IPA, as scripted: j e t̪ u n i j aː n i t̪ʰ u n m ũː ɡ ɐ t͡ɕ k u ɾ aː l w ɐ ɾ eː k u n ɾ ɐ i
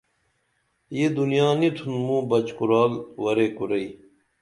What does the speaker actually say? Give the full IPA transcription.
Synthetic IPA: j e d̪ u n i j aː n i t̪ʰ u n m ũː b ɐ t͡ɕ k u ɾ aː l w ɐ ɾ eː k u ɾ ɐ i